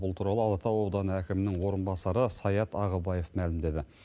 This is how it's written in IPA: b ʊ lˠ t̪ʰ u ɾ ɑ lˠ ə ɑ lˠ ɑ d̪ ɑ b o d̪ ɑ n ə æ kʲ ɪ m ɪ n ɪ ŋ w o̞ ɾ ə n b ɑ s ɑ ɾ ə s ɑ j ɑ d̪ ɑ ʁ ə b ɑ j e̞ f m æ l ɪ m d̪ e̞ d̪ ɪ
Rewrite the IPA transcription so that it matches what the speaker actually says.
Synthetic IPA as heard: b ʊ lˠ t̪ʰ u ɾ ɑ lˠ ə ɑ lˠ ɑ t̪ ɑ w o d̪ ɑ n ə æ kʲ ɪ m ɪ n ɪ ŋ w o̞ ɾ ə n b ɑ s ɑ ɾ ə s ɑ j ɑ t̪ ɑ ʁ ə b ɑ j e̞ f m æ l ɪ m d̪ e̞ d̪ ɪ

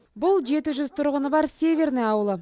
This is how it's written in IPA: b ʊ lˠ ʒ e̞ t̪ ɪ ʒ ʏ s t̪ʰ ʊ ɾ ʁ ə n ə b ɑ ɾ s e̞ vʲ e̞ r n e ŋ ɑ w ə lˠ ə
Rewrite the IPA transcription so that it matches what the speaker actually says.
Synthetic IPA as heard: b ʊ lˠ ʒ e̞ t̪ ɪ ʒ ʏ z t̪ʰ ʊ ɾ ʁ ə n ə b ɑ ɾ s e̞ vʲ e̞ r n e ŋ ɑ w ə lˠ ə

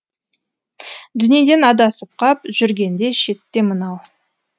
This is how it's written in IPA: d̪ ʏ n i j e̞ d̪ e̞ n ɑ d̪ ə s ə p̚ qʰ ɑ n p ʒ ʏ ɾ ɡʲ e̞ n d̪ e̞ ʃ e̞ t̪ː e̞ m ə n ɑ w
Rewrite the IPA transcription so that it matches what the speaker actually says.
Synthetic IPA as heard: d̪ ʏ n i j e̞ d̪ e̞ n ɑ d̪ ɑ s ə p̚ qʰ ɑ p ʒ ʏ ɾ ɡʲ e̞ n d̪ e̞ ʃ e̞ t̪ː e̞ m ə n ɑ w

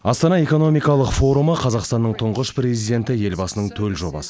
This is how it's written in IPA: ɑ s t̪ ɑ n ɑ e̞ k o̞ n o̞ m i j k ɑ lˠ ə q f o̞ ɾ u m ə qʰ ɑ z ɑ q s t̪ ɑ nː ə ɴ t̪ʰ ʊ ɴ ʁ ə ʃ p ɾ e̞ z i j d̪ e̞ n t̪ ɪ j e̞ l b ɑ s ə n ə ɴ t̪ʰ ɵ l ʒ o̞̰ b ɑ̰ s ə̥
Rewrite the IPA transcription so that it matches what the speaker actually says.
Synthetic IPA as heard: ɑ s t̪ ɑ n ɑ e̞ k o̞ n o̞ m i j k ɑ lˠ ə q f o̞ ɾ u m ə qʰ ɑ z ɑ q s t̪ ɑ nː ə ɴ t̪ʰ ʊ ɴ ʁ ə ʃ p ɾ e̞ z i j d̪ e̞ n t̪ ɪ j e̞ l b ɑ s ə n ə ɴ t̪ʰ ɵ l ʒ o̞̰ b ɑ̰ s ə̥

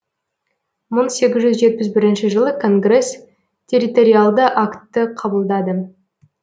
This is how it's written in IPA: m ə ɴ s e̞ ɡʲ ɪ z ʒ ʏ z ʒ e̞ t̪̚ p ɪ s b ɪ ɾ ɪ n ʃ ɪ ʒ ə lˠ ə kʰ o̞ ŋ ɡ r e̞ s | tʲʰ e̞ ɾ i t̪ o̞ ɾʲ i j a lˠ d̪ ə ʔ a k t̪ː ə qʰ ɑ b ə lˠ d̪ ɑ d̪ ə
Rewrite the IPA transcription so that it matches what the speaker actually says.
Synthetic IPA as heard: m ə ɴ s e̞ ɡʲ ɪ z ʒ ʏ z ʒ e̞ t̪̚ p ɪ z b ɪ ɾ ɪ n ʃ ɪ ʒ ə lˠ ə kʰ o̞ ŋ ɡ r e̞ s | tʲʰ e̞ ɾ i t̪ o̞ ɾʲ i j a lˠ d̪ ə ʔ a k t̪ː ə qʰ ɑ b ə lˠ d̪ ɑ d̪ ə

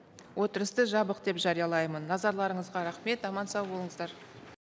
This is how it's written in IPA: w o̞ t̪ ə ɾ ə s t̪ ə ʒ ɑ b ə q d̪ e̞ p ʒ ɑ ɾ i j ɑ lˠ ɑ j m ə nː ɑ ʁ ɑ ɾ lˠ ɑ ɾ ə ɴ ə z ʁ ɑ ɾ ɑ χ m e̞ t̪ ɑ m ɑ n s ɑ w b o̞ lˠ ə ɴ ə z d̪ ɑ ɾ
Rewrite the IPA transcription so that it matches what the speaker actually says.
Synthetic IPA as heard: w o̞ t̪ ə ɾ ə s t̪ ə ʒ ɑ b ə q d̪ e̞ p ʒ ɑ ɾ i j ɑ lˠ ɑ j m ə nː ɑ z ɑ ɾ lˠ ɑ ɾ ə ɴ ə z ʁ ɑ ɾ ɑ χ m e̞ t̪ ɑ m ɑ n s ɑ w b o̞ lˠ ə ɴ ə z d̪ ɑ ɾ

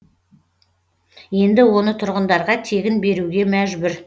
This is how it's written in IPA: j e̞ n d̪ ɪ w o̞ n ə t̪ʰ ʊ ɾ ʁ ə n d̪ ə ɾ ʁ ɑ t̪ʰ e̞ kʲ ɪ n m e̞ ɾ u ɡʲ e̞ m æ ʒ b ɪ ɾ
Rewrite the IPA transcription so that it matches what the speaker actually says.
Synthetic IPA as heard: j e̞ n d̪ ɪ w o̞ n ə t̪ʰ ʊ ɾ ʁ ə n d̪ ɑ ɾ ʁ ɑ t̪ʰ e̞ ɡʲ ɪ n b e̞ ɾ u ɡʲ e̞ m æ ʒ b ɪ ɾ

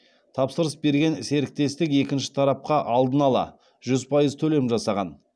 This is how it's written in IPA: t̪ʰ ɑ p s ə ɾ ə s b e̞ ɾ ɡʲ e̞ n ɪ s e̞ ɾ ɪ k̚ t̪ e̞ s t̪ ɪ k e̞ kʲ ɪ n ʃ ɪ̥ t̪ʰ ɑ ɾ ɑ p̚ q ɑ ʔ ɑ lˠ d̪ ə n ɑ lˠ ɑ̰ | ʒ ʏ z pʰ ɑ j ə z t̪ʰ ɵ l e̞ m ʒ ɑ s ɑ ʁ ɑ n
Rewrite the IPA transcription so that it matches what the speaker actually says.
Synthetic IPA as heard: t̪ʰ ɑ p s ə ɾ ə s b e̞ ɾ ɡʲ e̞ n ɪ s e̞ ɾ ɪ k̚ t̪ e̞ s t̪ ɪ k e̞ kʲ ɪ n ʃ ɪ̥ t̪ʰ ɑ ɾ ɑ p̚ q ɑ ʔ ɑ lˠ d̪ ə n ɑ lˠ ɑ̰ | ʒ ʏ z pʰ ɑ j ə z t̪ʰ ɵ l e̞ m ʒ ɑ s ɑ ʁ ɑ n

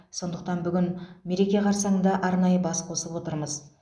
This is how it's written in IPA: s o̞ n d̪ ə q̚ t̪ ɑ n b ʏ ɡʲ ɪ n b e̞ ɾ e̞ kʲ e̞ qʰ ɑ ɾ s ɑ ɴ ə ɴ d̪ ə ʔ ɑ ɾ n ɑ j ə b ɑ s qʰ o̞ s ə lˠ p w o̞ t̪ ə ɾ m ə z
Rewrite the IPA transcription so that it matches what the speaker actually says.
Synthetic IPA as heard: s o̞ n d̪ ə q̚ t̪ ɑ n b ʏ ɡʲ ɪ n m e̞ ɾ e̞ kʲ e̞ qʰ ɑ ɾ s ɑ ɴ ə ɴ d̪ ɑ ʔ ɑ ɾ n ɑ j ə b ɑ s qʰ o̞ s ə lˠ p w o̞ t̪ ə ɾ m ə z

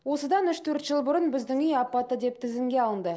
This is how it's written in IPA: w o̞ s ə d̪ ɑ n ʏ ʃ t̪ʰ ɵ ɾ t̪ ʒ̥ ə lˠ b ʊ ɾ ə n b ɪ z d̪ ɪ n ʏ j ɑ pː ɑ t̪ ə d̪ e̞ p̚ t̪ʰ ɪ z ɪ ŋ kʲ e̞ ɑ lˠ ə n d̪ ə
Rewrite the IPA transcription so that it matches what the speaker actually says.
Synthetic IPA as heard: w o̞ s ə d̪ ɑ n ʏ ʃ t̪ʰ ɵ ɾ t̪ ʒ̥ ə lˠ b ʊ ɾ ə n b ɪ z d̪ ɪ ŋ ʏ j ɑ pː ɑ t̪ ə d̪ e̞ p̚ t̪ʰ ɪ z ɪ ŋ ɡʲ e̞ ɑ lˠ ə n d̪ ə

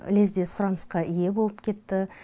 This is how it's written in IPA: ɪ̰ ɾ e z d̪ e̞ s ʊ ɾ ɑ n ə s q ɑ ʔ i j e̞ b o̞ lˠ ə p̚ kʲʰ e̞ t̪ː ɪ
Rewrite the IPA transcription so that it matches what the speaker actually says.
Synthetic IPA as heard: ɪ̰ l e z d̪ e̞ s ʊ ɾ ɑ n ə s q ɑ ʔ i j e̞ b o̞ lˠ ə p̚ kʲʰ e̞ t̪ː ɪ

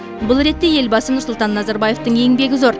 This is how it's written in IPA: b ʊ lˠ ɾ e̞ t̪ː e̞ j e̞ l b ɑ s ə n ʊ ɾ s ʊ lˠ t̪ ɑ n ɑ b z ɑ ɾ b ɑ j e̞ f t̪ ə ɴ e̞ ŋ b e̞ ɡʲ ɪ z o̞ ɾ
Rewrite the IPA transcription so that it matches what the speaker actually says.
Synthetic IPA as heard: b ʊ lˠ ɾ e̞ t̪ː e̞ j e̞ l b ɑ s ə n ʊ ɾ s ʊ lˠ t̪ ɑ nː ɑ z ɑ ɾ b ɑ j e̞ f t̪ ə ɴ e̞ ŋ b e̞ ɡʲ ɪ z o̞ ɾ

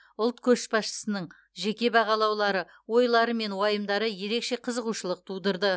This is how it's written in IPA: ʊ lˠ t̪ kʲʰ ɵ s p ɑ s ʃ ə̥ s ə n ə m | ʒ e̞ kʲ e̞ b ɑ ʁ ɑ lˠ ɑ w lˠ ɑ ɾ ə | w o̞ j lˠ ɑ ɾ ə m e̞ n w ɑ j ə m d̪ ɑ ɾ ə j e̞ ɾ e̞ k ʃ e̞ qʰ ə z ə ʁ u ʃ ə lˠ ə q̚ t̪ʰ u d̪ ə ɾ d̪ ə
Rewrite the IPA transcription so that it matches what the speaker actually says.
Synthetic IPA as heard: ʊ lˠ t̪ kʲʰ ɵ ʃ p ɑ s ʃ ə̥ s ə n ə ɴ | ʒ e̞ kʲ e̞ b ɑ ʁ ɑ lˠ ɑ w lˠ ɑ ɾ ə | w o̞ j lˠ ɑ ɾ ə m e̞ n w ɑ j ə m d̪ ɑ ɾ ə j e̞ ɾ e̞ k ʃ e̞ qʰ ə z ə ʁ u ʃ ə lˠ ə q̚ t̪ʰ u d̪ ə ɾ d̪ ə

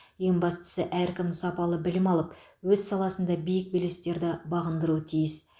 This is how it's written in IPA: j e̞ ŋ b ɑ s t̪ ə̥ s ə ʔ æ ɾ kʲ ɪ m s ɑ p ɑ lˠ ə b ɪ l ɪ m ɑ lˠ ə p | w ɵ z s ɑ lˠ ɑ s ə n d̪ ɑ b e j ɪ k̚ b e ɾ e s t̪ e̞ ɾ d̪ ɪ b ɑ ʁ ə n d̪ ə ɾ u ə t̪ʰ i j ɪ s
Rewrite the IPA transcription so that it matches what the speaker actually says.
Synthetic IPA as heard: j e̞ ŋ b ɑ s t̪ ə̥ s ə ʔ æ ɾ kʲ ɪ m s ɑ p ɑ lˠ ə b ɪ l ɪ m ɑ lˠ ə p | w ɵ z s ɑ lˠ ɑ s ə n d̪ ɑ b i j ɪ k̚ b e l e s t̪ e̞ ɾ d̪ ɪ b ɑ ʁ ə n d̪ ə ɾ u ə t̪ʰ i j ɪ s

